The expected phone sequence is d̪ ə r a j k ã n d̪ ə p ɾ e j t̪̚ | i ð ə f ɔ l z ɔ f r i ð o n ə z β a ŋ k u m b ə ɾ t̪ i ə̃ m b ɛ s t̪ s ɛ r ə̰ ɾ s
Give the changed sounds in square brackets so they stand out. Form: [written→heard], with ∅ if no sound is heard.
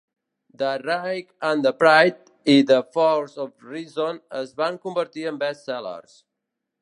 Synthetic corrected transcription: d̪ ə r a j k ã n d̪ ə p ɾ [e→a] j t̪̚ | i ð ə f ɔ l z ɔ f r i [ð→z] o n ə z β a ŋ k u m b ə ɾ t̪ i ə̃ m b ɛ s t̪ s ɛ [r→l] ə̰ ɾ s